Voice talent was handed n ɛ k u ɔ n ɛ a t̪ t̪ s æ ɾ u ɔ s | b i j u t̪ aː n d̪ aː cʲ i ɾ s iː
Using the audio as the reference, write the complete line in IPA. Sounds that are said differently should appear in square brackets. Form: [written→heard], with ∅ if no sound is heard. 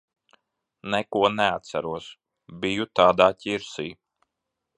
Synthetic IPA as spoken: n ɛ k u ɔ n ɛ a t̪ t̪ s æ ɾ u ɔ s | b i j u t̪ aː [n→∅] d̪ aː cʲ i ɾ s iː